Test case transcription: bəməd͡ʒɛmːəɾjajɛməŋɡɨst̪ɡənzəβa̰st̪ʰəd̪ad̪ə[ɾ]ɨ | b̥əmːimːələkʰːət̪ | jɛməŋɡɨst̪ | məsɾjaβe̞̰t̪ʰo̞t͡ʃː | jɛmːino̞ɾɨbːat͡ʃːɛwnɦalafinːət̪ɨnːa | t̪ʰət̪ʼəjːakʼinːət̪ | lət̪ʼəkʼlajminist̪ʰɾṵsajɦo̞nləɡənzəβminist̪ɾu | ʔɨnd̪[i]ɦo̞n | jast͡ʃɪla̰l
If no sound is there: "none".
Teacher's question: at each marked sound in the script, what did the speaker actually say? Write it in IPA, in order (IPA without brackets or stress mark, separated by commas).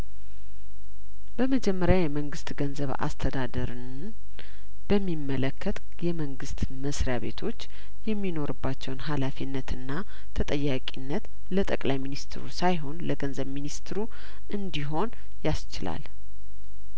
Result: ɾ, i